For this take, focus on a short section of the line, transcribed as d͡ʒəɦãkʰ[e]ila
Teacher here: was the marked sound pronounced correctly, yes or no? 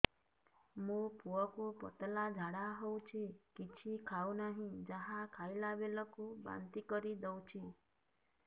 no